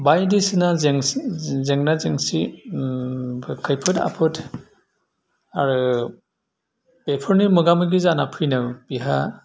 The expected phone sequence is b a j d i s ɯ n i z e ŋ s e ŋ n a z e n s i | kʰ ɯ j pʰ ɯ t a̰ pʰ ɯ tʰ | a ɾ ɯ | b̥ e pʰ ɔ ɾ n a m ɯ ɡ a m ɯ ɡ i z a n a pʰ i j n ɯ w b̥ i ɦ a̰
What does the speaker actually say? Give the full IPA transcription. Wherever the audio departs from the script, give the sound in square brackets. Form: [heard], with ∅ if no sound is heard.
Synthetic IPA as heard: b a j d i s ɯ n [a] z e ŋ [z] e ŋ n a z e [ŋ] s i | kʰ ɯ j pʰ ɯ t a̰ pʰ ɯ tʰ | a ɾ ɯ | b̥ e pʰ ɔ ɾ n [i] m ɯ ɡ a m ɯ ɡ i z a n a pʰ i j n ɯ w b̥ i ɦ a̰

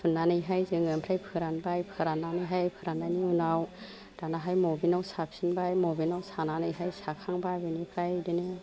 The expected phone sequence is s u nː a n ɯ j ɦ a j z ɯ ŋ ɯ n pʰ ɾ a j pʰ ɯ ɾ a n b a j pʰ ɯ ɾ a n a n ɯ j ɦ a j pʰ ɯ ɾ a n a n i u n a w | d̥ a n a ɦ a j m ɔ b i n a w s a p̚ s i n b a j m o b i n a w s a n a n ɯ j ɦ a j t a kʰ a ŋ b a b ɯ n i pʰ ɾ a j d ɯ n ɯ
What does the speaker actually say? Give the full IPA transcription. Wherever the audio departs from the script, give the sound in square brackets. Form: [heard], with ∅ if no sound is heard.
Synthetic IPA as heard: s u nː a n ɯ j ɦ a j z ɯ ŋ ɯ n pʰ ɾ a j pʰ ɯ ɾ a n b a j pʰ ɯ ɾ a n a n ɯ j ɦ a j pʰ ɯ ɾ a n a n i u n a w | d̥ a n a ɦ a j m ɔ b i n a w s a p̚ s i n b a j m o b i n a w s a n a n ɯ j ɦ a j [s] a kʰ a ŋ b a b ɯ n i pʰ ɾ a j d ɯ n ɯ

